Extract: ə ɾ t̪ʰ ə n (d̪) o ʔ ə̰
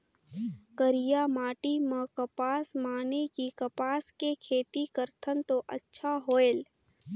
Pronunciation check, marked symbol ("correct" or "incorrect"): incorrect